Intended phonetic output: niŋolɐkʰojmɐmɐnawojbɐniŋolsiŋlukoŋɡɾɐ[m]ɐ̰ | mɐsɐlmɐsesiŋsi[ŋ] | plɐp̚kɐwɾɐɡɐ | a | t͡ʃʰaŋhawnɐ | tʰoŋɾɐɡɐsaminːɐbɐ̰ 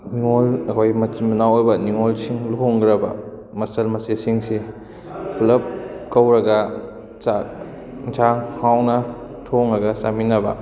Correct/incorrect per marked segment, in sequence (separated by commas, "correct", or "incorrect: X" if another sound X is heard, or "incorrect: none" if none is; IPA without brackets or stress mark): incorrect: b, incorrect: none